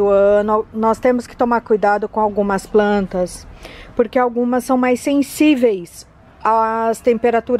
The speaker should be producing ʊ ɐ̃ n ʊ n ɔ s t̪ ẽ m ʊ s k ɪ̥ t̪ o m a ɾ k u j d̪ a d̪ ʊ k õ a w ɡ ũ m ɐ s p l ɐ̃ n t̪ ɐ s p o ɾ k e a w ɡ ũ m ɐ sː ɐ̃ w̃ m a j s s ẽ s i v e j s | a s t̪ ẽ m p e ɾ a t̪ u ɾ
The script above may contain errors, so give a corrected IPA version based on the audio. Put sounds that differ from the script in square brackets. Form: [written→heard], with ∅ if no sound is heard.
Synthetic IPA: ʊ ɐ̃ n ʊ n ɔ s t̪ ẽ m ʊ s k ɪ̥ t̪ o m a ɾ k u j d̪ a d̪ ʊ k õ a w ɡ ũ m ɐ s p l ɐ̃ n t̪ ɐ s p o ɾ k e a w ɡ ũ m ɐ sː ɐ̃ w̃ m a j s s ẽ s i v e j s | a s t̪ ẽ m p e ɾ a t̪ u ɾ